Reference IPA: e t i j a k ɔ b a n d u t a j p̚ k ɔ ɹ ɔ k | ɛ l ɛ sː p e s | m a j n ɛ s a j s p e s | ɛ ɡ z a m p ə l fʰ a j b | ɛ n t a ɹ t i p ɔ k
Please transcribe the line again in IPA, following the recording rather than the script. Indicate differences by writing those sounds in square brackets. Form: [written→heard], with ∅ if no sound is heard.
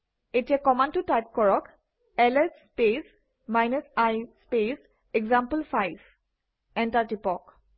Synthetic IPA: e t i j a k ɔ [b→m] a n [d→t] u t a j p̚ k ɔ ɹ ɔ k | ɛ l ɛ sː p e s | m a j n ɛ s a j s p e s | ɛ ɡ z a m p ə l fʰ a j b | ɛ n t a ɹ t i p ɔ k